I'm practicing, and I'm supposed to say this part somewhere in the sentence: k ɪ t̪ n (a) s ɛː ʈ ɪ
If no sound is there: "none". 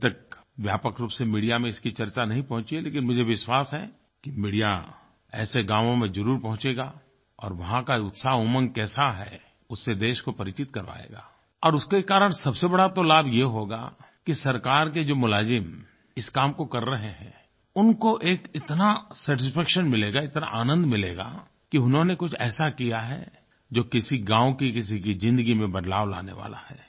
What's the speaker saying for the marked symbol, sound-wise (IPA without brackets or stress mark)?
a